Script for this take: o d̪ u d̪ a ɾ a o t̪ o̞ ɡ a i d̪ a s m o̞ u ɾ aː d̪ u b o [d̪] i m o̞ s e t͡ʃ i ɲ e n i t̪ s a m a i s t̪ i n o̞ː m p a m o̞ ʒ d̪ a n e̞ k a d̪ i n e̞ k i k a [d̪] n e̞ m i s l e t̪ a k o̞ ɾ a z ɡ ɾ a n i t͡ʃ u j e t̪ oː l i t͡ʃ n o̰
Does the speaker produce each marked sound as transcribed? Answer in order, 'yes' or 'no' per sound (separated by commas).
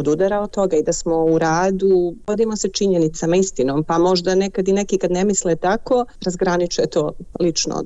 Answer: yes, yes